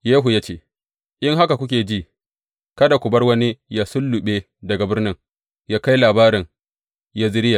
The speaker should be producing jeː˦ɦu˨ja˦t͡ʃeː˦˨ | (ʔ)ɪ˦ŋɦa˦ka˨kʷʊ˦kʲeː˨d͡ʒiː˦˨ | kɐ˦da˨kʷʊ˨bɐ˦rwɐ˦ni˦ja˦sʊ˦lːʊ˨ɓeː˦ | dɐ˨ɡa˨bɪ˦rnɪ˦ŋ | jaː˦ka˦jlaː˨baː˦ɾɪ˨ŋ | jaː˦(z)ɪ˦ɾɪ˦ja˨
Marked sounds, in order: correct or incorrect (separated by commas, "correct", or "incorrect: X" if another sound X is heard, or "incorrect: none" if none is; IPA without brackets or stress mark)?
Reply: correct, correct